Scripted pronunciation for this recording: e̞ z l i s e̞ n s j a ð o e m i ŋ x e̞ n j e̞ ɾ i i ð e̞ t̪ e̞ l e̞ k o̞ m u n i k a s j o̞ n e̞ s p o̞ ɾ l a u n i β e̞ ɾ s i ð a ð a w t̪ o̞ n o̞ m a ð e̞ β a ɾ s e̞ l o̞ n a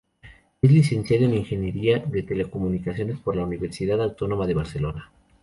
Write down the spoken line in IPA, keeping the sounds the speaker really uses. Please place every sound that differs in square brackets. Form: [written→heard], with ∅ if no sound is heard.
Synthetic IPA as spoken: e̞ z l i s e̞ n s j a ð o e [m→n] i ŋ x e̞ n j e̞ ɾ i [i→a] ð e̞ t̪ e̞ l e̞ k o̞ m u n i k a s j o̞ n e̞ s p o̞ ɾ l a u n i β e̞ ɾ s i ð a ð a w t̪ o̞ n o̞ m a ð e̞ β a ɾ s e̞ l o̞ n a